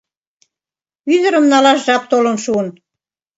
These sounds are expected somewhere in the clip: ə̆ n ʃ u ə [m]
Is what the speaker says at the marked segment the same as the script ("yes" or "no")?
no